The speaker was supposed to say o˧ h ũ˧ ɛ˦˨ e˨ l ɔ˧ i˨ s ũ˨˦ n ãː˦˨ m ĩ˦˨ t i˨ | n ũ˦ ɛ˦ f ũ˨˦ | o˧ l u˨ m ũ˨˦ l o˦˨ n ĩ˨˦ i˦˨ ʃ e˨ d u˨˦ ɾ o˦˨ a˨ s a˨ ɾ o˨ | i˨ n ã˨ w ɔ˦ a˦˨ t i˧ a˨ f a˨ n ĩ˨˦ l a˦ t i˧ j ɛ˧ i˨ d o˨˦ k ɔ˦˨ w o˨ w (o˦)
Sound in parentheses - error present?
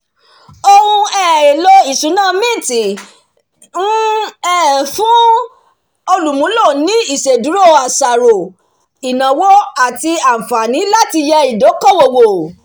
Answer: yes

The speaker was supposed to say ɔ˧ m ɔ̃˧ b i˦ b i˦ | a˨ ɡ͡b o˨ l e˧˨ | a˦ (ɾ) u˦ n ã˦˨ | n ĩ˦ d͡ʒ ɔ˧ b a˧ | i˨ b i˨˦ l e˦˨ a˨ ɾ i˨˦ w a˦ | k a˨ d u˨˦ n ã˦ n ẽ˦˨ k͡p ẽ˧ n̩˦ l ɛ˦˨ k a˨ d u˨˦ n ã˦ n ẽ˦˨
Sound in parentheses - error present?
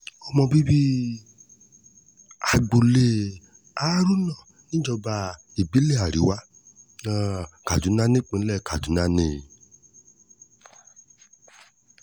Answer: no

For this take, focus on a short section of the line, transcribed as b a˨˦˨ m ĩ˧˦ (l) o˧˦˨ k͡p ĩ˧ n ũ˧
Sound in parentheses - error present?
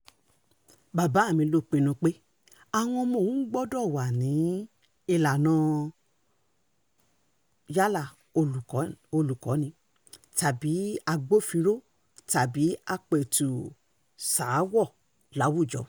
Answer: no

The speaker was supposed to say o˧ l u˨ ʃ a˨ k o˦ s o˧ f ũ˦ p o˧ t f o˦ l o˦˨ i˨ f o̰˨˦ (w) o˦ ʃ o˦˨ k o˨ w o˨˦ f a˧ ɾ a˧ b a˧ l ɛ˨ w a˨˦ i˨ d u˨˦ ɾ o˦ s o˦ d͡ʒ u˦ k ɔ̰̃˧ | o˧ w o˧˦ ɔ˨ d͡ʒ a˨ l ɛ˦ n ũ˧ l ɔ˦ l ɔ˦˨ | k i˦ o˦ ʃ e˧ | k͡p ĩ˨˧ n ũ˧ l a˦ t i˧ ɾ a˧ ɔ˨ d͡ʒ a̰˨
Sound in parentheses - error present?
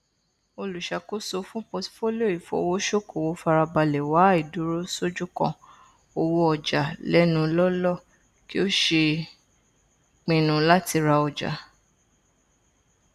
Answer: no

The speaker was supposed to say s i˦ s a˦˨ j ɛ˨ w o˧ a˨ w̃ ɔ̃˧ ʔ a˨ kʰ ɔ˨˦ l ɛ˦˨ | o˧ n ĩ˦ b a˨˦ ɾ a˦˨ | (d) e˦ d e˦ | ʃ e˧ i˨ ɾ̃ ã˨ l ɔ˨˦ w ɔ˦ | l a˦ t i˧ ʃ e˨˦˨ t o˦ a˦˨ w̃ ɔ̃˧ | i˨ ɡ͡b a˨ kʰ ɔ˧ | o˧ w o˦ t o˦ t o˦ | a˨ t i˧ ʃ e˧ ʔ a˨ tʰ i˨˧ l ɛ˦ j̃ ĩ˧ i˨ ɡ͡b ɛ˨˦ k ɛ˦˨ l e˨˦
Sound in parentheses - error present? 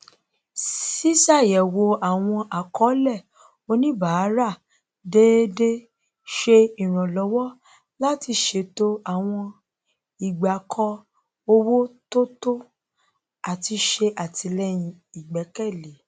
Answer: no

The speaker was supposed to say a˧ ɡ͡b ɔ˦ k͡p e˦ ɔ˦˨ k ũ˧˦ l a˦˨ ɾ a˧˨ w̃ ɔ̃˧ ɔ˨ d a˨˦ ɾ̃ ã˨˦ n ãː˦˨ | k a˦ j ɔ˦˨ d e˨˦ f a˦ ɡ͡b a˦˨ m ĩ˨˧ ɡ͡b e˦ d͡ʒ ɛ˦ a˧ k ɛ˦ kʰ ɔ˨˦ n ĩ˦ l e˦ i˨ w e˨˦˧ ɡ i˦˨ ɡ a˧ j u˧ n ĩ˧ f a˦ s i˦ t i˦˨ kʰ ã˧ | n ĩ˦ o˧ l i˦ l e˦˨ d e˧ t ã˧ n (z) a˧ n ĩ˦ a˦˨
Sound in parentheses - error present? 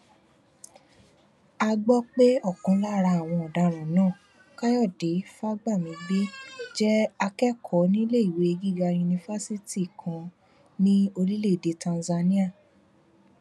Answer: no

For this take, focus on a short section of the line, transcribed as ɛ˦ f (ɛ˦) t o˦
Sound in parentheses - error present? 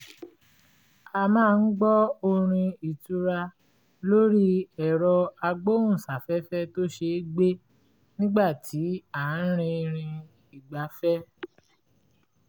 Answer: no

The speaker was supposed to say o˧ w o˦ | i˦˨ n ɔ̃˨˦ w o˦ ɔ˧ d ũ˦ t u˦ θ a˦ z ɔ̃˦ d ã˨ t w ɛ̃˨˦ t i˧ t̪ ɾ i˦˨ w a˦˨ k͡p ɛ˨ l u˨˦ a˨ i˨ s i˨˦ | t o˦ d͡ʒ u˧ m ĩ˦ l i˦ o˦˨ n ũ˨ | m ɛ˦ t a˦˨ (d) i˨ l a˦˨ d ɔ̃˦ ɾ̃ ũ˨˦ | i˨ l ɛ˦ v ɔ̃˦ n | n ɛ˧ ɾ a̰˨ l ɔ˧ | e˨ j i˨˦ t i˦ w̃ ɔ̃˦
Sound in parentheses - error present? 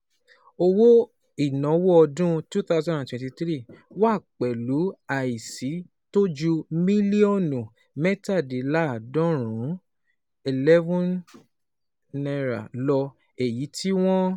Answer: no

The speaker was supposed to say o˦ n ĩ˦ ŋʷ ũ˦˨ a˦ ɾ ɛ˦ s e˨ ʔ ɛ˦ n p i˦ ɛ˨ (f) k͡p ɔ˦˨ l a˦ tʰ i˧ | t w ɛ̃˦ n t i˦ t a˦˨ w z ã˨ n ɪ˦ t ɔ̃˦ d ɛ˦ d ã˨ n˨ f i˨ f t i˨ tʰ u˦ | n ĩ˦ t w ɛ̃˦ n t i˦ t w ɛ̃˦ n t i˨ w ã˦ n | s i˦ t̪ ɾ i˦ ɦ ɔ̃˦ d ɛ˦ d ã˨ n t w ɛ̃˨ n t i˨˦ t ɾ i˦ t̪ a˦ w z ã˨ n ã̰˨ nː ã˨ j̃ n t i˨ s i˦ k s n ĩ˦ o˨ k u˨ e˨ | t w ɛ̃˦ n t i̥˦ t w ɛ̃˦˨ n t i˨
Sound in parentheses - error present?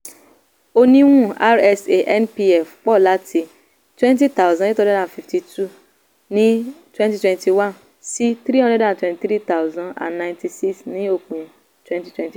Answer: no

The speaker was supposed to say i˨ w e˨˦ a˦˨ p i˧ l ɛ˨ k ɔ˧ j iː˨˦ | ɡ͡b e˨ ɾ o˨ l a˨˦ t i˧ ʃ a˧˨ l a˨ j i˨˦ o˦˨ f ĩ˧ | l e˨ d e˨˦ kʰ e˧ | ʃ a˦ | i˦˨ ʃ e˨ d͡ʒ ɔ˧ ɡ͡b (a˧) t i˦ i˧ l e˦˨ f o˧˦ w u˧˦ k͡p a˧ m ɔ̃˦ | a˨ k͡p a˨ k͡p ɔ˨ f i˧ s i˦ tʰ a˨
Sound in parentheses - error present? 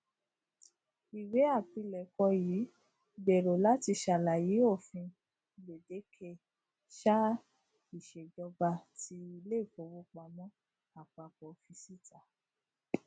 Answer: no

